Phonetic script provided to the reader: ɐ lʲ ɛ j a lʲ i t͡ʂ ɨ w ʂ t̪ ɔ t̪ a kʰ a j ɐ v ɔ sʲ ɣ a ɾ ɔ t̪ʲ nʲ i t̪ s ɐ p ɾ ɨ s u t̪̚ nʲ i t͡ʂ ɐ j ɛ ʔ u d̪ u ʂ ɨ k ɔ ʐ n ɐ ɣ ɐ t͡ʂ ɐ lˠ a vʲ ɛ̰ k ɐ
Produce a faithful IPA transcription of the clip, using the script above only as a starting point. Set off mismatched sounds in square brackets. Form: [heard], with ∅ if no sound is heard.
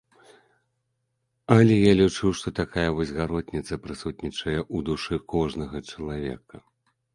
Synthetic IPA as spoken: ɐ lʲ ɛ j a lʲ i t͡ʂ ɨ w ʂ t̪ ɔ t̪ a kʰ a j ɐ v ɔ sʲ ɣ a ɾ ɔ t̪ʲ nʲ i t̪ s ɐ p ɾ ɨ s u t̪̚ nʲ i t͡ʂ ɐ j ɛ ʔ u d̪ u ʂ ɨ k ɔ ʐ n ɐ ɣ ɐ t͡ʂ ɐ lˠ a vʲ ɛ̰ k ɐ